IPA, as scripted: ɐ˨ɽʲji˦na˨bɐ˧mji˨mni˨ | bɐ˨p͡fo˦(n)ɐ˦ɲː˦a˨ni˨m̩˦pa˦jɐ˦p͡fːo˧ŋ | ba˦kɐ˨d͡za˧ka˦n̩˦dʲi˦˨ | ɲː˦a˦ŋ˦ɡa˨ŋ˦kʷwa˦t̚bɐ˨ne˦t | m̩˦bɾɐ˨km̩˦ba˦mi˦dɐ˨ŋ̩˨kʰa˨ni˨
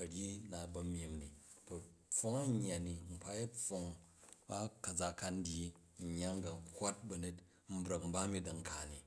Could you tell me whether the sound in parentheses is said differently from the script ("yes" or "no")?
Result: yes